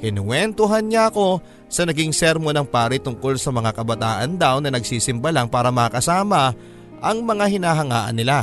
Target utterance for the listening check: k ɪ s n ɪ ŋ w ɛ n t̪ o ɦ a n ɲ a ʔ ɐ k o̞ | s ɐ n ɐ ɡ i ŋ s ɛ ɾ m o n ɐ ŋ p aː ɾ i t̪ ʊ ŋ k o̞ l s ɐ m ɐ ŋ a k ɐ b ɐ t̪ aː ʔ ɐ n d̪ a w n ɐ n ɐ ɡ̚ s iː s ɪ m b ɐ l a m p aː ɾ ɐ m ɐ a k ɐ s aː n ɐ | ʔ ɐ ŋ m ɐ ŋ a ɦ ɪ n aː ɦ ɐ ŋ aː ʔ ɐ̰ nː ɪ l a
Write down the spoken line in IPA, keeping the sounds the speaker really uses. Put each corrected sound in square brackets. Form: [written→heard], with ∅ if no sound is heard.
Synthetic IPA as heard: k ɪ [s→∅] n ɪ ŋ w ɛ n t̪ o ɦ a n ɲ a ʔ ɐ k o̞ | s ɐ n ɐ ɡ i ŋ s ɛ ɾ m o n ɐ ŋ p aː ɾ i t̪ ʊ ŋ k o̞ l s ɐ m ɐ ŋ a k ɐ b ɐ t̪ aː ʔ ɐ n d̪ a w n ɐ n ɐ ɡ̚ s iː s ɪ m b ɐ l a [m→ŋ] p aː ɾ ɐ m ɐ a k ɐ s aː [n→m] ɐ | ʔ ɐ ŋ m ɐ ŋ a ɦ ɪ n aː ɦ ɐ ŋ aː ʔ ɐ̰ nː ɪ l a